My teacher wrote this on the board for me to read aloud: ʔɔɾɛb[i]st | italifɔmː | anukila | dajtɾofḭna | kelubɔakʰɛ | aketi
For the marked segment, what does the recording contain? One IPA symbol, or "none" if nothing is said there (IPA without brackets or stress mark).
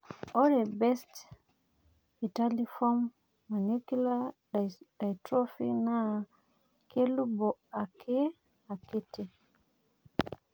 ɛ